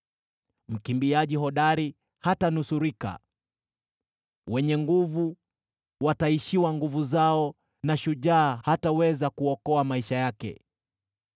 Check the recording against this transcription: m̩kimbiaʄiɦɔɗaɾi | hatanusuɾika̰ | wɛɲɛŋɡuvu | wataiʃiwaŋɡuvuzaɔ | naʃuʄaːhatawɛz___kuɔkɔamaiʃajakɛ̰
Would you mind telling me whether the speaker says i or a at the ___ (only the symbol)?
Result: a